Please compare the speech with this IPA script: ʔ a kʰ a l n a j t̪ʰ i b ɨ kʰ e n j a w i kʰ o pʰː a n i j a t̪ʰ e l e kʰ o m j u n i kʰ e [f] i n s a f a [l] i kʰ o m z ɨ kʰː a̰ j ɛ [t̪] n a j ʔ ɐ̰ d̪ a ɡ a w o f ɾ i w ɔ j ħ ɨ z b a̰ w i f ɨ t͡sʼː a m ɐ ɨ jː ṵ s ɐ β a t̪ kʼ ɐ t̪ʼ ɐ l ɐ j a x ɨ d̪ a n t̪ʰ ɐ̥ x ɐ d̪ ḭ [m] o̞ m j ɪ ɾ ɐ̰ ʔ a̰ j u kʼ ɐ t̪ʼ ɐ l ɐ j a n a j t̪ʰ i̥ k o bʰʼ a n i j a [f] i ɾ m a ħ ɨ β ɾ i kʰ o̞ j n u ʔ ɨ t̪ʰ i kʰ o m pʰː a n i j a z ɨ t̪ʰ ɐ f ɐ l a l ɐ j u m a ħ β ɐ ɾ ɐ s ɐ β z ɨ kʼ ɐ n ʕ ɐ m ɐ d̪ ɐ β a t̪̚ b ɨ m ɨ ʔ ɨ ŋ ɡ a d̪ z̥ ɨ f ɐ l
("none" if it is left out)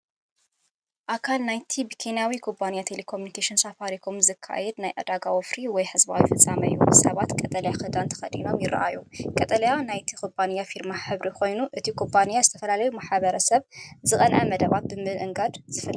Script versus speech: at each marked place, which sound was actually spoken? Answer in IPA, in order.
ʃ, ɾ, d̪, n, f

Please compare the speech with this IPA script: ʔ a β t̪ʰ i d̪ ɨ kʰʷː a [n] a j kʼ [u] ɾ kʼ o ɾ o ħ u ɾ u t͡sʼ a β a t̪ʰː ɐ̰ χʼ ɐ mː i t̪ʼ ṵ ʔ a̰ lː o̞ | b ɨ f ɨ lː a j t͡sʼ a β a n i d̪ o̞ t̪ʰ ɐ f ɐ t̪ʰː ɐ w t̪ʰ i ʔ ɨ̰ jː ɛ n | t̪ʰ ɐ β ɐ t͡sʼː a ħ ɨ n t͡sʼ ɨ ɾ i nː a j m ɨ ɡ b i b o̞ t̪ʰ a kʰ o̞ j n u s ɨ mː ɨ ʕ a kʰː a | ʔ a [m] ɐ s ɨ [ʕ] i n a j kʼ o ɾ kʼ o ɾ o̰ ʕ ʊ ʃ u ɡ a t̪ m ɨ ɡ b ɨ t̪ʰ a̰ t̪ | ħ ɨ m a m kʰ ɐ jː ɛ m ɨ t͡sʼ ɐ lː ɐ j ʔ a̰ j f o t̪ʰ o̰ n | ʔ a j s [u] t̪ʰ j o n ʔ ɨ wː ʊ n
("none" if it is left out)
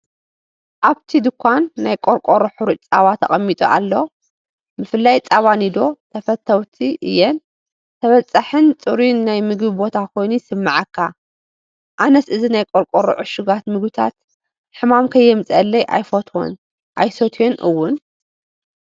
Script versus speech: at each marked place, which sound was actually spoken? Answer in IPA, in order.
nː, o, n, z, o

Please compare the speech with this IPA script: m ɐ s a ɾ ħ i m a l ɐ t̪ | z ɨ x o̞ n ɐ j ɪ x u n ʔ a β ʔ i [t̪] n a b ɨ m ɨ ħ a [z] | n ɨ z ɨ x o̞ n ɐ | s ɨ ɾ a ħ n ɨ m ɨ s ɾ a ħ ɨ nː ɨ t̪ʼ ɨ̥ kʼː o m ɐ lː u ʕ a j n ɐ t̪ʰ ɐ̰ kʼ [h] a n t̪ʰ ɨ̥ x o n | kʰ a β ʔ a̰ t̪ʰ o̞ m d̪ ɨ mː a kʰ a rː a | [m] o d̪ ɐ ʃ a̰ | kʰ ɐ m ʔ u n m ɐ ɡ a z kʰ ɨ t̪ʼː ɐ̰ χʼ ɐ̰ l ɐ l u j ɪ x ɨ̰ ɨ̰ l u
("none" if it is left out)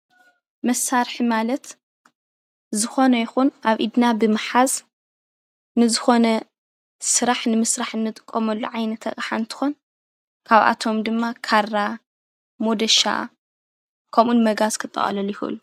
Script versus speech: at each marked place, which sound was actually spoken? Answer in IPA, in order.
d̪, z, ħ, m

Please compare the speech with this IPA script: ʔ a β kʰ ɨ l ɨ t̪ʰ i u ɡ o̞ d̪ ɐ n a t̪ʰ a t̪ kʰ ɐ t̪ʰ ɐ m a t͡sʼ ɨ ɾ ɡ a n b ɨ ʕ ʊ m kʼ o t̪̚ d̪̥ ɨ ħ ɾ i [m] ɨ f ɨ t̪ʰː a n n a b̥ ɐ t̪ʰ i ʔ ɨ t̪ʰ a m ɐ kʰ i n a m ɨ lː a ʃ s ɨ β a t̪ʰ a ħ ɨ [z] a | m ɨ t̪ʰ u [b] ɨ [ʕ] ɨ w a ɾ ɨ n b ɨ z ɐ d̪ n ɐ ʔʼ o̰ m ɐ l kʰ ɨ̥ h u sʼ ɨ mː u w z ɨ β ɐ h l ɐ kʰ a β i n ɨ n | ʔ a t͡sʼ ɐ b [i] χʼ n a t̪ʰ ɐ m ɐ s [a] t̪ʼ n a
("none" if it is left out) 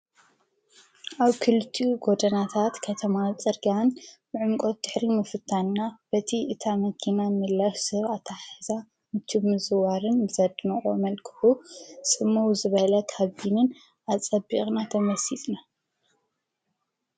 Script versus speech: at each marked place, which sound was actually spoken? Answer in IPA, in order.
m, z, m, z, i, i

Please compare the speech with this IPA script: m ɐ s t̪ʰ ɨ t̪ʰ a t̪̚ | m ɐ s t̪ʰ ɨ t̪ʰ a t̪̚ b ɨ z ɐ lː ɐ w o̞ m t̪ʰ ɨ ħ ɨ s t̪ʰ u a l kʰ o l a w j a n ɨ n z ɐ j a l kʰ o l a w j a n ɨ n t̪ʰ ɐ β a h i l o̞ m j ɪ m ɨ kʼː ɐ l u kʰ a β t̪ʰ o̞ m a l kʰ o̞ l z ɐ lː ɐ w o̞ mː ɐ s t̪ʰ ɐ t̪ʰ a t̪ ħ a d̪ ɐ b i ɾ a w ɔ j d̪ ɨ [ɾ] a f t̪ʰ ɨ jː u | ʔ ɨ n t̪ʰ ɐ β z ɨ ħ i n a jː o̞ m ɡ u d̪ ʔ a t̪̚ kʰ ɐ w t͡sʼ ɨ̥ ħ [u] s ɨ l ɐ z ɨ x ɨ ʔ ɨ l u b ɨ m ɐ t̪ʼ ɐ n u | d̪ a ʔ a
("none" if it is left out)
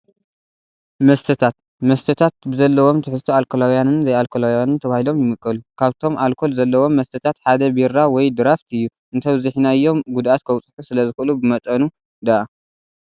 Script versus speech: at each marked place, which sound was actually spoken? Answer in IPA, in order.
ɾ, u

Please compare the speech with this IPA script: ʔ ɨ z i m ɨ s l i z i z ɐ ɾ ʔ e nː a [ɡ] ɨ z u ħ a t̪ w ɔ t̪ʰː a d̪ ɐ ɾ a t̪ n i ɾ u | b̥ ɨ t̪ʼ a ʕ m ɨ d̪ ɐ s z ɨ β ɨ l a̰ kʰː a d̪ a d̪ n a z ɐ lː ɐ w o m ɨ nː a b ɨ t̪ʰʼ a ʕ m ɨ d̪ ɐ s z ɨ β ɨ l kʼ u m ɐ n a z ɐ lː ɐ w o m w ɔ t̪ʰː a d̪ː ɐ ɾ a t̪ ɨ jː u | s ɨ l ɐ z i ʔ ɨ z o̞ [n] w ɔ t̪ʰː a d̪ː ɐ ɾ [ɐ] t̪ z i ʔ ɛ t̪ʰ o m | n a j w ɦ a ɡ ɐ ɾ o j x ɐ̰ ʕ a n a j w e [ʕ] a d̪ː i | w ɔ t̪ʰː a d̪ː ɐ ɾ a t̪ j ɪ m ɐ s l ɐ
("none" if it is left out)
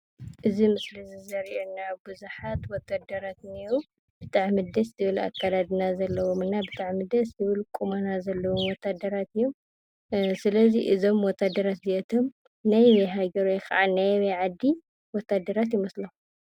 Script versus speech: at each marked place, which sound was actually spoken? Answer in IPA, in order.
b, m, a, ʕ

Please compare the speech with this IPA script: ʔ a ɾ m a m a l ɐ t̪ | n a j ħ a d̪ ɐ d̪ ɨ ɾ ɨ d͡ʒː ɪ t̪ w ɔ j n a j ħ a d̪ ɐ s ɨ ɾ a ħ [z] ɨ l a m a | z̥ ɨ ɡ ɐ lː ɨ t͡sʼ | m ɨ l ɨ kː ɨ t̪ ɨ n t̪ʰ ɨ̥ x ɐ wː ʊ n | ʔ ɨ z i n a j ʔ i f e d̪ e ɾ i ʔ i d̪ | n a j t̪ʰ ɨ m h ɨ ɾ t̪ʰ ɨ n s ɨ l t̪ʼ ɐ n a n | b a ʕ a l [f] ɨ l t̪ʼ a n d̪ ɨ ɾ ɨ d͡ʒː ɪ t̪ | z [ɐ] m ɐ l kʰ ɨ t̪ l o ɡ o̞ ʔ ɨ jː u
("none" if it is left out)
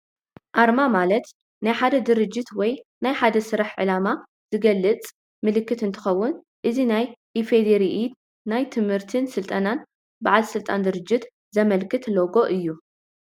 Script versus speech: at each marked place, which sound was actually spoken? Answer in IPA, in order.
ʕ, s, ɐ

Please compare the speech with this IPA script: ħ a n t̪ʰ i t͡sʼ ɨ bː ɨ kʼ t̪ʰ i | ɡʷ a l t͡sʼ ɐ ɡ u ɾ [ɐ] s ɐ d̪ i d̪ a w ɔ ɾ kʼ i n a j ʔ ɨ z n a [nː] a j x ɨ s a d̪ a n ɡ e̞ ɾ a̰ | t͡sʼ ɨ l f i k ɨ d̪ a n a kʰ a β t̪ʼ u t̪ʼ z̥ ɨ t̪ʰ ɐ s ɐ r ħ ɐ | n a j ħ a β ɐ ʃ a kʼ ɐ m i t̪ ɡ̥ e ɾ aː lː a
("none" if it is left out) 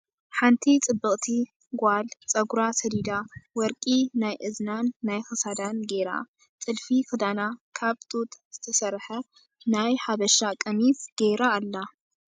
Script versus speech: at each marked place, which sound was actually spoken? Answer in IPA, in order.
a, nː

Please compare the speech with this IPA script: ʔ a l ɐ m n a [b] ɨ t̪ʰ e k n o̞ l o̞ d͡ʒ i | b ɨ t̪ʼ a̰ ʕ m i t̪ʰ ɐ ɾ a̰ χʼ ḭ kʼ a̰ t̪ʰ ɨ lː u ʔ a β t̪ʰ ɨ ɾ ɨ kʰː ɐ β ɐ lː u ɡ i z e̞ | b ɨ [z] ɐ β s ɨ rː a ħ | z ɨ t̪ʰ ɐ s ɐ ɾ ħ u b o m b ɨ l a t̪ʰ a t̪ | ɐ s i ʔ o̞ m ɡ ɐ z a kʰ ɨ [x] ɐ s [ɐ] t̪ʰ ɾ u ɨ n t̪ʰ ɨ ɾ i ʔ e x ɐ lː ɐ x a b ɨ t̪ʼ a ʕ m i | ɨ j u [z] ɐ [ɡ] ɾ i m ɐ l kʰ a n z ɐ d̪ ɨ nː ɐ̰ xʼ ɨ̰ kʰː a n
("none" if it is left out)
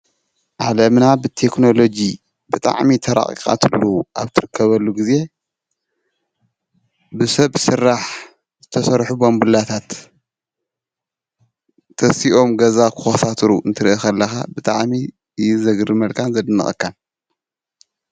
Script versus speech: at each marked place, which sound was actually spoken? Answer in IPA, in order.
b, s, x, a, z, ɡ

